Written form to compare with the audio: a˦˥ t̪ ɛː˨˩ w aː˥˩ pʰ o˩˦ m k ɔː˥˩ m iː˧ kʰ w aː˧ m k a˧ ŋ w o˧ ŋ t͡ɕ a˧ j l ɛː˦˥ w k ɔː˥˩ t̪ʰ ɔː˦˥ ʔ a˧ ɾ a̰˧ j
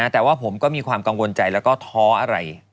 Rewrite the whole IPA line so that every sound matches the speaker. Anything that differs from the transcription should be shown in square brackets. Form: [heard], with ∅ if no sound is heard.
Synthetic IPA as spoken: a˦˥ t̪ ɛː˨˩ w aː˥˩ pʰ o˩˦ m k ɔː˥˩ m iː˧ kʰ w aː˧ m k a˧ ŋ w o˧ [n] t͡ɕ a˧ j l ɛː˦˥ w k ɔː˥˩ t̪ʰ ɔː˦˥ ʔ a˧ ɾ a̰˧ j